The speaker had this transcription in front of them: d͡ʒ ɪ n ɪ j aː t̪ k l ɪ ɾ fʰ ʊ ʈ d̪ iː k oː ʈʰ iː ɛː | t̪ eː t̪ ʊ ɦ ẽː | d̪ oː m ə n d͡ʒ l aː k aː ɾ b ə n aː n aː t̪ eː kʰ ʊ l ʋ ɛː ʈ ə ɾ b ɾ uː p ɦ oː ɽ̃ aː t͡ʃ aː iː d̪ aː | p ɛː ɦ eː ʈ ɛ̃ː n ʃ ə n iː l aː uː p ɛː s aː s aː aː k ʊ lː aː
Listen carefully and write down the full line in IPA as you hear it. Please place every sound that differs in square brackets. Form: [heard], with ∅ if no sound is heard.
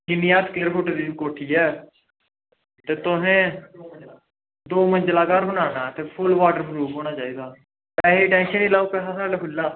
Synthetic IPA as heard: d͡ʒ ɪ n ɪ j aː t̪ k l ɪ ɾ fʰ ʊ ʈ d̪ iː k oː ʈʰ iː ɛː | t̪ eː t̪ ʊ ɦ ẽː | d̪ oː m ə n d͡ʒ l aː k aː ɾ b ə n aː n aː t̪ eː [pʰ] ʊ l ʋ [aː] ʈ ə ɾ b ɾ uː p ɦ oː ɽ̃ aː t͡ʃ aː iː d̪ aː | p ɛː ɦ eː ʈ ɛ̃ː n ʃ ə n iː l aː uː p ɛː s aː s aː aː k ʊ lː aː